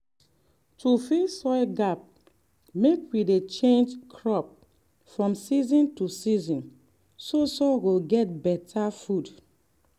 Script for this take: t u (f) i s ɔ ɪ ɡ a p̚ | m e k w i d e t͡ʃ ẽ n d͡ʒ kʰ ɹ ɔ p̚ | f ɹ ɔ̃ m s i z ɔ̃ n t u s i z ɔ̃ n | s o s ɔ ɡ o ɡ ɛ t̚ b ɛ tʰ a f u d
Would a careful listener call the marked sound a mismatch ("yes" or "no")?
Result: no